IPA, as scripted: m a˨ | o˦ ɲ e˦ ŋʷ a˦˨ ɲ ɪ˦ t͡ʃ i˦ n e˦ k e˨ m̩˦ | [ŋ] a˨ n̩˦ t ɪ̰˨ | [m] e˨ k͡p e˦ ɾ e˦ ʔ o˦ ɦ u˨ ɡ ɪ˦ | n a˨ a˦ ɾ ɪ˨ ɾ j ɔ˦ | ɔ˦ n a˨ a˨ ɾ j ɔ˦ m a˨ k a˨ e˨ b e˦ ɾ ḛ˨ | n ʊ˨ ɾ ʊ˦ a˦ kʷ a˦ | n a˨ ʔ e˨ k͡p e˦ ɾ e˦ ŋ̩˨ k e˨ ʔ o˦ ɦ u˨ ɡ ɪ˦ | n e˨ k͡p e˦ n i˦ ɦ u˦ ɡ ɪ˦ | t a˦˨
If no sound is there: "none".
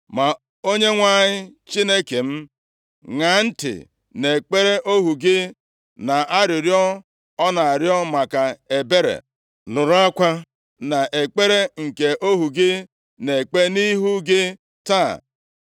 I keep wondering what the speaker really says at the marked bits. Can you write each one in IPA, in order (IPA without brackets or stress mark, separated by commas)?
ŋ, n